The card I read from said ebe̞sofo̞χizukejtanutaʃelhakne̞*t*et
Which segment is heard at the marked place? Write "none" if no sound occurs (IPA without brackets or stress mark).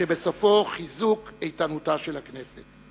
s